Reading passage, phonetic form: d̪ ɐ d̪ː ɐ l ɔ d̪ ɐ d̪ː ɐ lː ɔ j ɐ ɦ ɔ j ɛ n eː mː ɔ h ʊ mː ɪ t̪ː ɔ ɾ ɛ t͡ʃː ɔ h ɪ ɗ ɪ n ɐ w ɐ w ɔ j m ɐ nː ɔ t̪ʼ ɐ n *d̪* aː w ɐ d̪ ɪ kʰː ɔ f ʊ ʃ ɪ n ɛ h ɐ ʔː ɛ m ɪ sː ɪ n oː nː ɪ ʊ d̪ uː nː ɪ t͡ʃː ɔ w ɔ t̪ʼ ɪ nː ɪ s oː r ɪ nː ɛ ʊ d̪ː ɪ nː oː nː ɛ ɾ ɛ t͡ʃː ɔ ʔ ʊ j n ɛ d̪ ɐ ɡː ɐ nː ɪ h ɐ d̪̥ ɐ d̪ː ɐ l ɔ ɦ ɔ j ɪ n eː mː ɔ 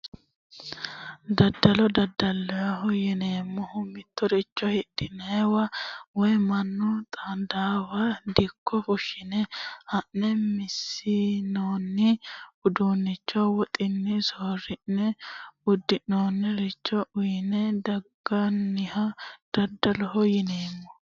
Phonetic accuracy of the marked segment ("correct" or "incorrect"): correct